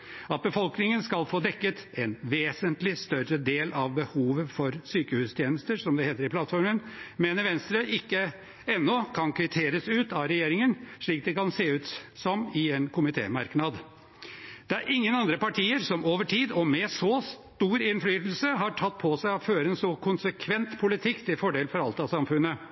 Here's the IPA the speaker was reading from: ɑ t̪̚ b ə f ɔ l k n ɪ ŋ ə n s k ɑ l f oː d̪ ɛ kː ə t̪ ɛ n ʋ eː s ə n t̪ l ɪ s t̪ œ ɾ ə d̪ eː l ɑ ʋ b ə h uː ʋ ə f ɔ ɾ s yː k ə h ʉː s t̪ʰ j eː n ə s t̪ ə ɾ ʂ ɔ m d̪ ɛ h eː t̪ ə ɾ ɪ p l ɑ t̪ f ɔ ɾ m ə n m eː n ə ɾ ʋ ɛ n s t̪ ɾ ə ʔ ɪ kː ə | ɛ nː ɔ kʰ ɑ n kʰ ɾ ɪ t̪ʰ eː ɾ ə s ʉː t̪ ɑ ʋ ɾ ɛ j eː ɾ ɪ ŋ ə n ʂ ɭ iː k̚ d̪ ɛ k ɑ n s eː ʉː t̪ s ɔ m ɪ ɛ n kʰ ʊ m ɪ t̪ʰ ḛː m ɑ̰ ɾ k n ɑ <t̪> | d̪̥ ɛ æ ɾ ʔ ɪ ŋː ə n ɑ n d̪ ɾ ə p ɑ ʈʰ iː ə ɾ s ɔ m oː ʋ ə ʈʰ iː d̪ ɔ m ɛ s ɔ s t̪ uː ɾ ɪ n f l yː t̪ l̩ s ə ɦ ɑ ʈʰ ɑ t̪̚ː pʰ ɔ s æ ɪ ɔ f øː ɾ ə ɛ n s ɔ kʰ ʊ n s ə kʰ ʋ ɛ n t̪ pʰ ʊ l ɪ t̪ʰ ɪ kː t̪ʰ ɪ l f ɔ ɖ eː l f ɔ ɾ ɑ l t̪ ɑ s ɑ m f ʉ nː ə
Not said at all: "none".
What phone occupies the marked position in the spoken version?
d̪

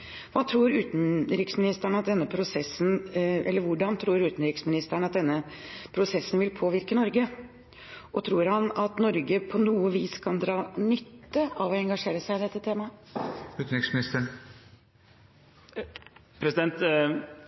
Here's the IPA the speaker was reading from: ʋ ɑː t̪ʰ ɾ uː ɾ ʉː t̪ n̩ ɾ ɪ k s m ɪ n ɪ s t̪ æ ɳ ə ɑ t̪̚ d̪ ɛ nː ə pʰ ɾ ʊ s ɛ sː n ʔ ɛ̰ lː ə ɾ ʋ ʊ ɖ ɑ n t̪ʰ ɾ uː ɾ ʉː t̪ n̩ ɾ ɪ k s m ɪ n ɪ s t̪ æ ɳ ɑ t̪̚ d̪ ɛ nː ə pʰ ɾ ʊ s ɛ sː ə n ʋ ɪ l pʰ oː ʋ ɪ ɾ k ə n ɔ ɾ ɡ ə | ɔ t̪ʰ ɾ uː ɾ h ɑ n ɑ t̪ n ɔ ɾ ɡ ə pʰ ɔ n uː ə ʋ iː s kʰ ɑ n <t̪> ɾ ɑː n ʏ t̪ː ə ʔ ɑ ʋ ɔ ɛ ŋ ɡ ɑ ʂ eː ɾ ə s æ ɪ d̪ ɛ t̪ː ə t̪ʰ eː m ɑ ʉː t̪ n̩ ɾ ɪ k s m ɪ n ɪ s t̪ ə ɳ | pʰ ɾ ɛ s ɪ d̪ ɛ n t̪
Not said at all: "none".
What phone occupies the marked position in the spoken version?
d̪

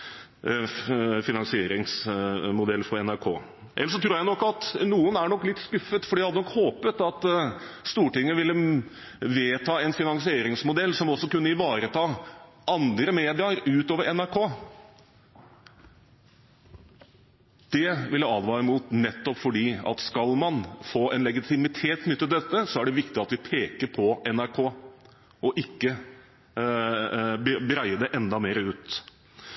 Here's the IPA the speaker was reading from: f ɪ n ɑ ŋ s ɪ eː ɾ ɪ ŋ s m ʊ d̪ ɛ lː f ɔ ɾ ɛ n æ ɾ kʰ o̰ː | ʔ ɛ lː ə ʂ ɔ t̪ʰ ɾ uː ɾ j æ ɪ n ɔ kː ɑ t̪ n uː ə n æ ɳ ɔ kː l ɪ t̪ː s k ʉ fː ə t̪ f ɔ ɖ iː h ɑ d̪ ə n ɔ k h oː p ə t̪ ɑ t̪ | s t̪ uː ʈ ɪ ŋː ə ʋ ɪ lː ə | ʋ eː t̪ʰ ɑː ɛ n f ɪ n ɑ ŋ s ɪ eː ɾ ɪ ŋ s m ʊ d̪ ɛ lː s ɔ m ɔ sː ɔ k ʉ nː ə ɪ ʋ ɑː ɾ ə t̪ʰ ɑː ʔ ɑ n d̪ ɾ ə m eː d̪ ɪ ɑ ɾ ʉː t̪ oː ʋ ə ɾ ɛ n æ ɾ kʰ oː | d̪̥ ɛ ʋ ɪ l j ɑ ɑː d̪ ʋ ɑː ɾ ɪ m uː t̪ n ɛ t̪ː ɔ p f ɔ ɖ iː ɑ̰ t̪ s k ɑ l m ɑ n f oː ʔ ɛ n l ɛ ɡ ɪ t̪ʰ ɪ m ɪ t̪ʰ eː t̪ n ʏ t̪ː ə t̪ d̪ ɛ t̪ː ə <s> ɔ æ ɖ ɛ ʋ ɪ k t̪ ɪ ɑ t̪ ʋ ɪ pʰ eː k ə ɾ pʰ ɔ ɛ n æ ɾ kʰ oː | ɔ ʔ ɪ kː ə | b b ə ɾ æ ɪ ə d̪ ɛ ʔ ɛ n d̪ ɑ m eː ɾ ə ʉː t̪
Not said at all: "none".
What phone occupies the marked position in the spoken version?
s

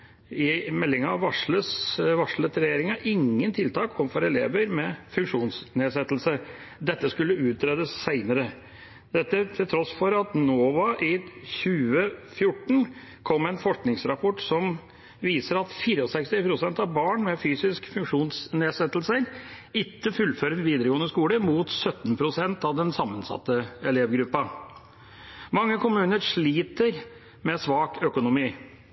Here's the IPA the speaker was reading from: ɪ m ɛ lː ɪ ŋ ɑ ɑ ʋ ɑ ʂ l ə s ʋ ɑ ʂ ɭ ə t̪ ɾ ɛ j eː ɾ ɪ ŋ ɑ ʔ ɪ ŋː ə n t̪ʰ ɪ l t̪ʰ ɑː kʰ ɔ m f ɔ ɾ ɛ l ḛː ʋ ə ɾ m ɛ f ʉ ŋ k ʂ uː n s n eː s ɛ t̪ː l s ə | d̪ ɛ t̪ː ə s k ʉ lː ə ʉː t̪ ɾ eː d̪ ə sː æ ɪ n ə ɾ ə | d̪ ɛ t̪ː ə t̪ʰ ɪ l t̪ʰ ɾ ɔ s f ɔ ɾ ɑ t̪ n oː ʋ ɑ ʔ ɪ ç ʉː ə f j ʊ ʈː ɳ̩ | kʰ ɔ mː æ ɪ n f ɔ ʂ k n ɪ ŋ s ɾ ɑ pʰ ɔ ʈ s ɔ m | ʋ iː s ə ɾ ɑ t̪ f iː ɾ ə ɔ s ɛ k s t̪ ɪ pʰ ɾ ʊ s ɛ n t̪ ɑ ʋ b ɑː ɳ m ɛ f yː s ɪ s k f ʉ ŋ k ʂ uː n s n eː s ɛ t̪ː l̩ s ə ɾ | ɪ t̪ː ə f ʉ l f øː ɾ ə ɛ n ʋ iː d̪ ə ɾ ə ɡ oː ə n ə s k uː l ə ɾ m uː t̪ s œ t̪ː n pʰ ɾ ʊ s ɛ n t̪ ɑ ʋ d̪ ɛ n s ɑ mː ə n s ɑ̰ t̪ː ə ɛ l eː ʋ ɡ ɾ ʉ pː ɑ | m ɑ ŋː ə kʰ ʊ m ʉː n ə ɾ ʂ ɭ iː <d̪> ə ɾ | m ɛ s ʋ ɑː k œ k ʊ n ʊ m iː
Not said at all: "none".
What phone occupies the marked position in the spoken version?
t̪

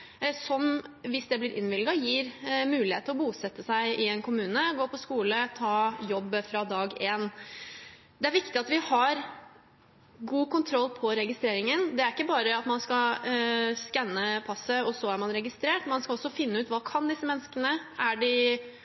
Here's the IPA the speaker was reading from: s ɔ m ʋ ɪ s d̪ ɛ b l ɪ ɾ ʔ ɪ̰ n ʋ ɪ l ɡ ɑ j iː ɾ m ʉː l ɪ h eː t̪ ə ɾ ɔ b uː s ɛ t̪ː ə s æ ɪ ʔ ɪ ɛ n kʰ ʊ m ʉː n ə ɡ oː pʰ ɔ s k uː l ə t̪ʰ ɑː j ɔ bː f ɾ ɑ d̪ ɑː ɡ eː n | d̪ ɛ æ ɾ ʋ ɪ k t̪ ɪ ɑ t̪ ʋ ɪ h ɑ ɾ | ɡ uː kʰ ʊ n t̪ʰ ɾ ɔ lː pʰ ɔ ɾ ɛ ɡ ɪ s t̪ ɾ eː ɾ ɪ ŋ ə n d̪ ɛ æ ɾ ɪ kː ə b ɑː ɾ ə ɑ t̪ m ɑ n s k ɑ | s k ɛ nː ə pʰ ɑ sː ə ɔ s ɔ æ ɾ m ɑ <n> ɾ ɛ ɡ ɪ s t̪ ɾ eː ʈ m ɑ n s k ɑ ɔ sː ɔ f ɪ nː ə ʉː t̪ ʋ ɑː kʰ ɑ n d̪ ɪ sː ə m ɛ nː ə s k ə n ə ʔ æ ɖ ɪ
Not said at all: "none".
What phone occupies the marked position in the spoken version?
n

